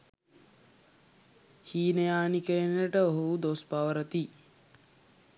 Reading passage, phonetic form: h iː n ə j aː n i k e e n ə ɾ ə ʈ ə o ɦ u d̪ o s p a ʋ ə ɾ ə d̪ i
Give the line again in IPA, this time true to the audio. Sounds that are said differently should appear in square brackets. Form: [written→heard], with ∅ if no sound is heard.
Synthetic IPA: h iː n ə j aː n i k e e n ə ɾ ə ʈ ə o ɦ u d̪ o s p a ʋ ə ɾ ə [d̪→t̪] i